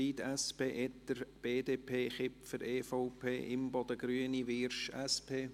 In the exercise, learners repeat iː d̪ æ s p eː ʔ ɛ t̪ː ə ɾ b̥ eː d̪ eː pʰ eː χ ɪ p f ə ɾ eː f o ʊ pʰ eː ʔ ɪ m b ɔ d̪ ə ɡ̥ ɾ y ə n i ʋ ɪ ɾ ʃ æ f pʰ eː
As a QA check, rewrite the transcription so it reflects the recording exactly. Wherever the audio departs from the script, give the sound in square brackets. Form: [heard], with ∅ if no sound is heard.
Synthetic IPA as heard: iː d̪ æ s p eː ʔ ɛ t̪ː ə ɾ b̥ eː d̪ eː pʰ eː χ ɪ p f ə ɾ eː f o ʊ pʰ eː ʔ ɪ m b ɔ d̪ ə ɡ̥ ɾ y ə n i ʋ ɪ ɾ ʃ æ [s] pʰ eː

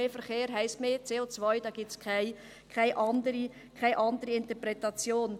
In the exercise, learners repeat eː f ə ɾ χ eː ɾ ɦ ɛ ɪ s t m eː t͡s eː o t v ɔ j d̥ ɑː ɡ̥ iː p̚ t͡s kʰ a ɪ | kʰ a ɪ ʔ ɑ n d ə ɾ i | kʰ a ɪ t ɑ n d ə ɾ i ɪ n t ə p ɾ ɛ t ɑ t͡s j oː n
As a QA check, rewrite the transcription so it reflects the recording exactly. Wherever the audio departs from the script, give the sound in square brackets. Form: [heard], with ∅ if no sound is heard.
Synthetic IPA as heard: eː f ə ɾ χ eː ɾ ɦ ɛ ɪ s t m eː t͡s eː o [t͡s] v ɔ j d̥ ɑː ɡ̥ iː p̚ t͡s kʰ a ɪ | kʰ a ɪ ʔ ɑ n d ə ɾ i | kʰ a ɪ [ʔ] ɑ n d ə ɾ i ɪ n t ə p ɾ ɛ t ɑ t͡s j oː n

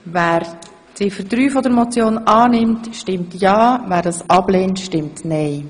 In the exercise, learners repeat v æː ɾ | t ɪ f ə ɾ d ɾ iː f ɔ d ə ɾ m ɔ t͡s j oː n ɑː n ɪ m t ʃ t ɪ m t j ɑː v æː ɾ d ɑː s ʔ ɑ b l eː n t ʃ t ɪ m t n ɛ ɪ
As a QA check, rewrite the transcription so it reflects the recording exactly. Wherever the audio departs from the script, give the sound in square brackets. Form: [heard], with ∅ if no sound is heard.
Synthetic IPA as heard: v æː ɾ | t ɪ f ə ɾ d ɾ [yː] f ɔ d ə ɾ m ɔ t͡s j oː n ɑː n ɪ m t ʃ t ɪ m t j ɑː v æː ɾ d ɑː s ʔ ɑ b l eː n t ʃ t ɪ m t n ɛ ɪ

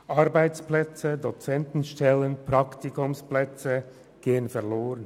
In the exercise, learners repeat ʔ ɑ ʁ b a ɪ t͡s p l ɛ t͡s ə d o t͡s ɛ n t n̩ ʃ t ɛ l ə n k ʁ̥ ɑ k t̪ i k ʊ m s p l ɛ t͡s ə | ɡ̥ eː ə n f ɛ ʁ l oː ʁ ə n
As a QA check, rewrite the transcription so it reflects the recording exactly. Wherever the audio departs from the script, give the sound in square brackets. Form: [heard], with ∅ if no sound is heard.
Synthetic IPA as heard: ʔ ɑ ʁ b a ɪ t͡s p l ɛ t͡s ə d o t͡s ɛ n t n̩ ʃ t ɛ l ə n [p] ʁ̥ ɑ k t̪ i k ʊ m s p l ɛ t͡s ə | ɡ̥ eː ə n f ɛ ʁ l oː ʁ ə n

